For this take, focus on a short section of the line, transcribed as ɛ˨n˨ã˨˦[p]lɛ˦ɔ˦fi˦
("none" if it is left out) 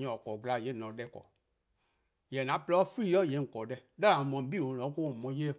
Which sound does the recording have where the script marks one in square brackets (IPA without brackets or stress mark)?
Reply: p